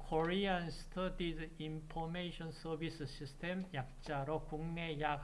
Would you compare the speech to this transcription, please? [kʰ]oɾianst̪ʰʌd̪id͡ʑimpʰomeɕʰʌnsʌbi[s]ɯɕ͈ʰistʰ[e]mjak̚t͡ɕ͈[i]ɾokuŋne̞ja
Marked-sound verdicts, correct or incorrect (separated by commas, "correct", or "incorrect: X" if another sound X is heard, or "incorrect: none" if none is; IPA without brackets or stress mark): correct, correct, correct, incorrect: a